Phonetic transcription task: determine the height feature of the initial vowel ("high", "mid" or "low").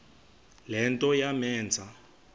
mid